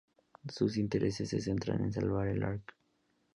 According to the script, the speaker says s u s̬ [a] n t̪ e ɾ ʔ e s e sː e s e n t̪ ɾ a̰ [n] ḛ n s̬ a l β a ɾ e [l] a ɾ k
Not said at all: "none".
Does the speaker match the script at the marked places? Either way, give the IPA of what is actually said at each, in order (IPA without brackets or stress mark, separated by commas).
i, n, l